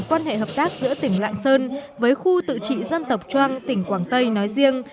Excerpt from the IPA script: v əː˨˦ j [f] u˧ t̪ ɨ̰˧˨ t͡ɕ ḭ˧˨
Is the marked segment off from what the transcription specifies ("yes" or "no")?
yes